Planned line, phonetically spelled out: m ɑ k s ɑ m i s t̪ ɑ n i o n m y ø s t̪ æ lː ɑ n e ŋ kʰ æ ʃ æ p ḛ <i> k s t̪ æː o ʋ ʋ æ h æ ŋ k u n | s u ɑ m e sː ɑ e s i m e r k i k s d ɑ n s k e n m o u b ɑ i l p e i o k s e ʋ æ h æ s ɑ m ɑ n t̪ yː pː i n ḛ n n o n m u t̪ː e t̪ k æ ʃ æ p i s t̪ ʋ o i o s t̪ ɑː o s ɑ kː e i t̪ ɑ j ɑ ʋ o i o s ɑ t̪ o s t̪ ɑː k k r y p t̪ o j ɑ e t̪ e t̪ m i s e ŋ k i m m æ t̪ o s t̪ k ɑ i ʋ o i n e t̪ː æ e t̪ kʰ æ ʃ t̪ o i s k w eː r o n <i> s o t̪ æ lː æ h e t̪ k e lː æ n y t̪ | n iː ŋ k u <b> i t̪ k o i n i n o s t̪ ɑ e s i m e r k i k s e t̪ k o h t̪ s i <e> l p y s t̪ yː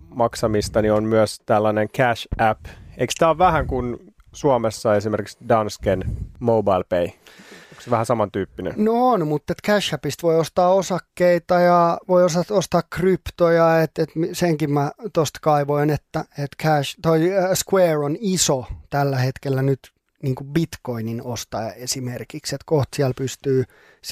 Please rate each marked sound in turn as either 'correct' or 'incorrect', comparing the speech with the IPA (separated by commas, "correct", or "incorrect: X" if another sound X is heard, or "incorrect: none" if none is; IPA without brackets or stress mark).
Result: correct, correct, correct, incorrect: æ